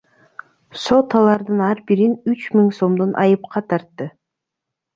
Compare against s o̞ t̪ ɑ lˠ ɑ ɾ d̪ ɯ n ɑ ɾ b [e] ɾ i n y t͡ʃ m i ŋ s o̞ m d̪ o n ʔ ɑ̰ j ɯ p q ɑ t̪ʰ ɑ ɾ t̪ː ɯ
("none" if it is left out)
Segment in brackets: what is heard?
i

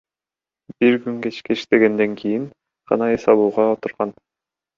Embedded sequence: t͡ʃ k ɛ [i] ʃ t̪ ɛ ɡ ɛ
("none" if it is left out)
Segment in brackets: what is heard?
i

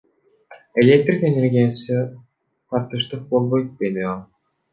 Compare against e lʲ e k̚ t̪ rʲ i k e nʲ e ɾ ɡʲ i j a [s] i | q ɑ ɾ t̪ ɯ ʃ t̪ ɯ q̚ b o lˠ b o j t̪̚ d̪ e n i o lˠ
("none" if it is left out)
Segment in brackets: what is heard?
s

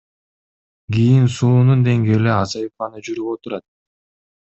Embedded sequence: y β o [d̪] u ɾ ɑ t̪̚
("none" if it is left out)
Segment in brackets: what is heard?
t̪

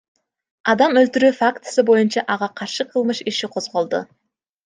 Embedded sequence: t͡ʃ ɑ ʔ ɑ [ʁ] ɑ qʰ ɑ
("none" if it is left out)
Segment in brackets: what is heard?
ʁ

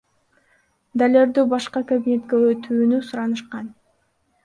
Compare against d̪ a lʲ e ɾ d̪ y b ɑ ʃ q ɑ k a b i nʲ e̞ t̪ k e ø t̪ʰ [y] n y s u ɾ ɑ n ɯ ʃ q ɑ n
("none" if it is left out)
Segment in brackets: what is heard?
yː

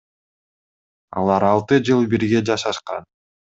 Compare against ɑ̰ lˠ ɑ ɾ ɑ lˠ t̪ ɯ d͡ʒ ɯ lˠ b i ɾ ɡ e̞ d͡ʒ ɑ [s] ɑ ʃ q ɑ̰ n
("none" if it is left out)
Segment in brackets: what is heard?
ʃ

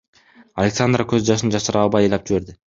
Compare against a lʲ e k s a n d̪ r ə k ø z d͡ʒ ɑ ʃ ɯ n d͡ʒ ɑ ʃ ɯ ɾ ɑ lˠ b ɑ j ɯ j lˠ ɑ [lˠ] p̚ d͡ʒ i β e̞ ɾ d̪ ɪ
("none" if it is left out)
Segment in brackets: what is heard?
none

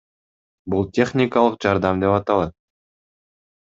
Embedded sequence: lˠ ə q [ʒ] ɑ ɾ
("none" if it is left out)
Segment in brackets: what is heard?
ʒ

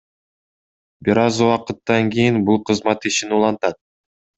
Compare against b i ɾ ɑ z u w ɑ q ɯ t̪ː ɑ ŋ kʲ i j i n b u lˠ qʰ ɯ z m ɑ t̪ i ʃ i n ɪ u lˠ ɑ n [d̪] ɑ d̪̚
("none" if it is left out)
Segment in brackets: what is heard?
t̪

